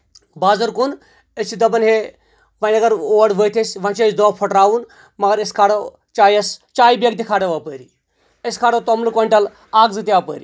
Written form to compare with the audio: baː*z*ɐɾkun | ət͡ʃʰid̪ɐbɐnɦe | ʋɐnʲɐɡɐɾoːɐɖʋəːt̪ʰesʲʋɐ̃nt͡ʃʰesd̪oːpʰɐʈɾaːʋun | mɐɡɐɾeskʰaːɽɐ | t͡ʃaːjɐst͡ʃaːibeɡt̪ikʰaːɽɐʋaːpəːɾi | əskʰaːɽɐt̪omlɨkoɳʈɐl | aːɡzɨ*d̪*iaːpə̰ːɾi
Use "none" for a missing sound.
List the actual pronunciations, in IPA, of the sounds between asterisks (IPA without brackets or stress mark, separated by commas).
z, t̪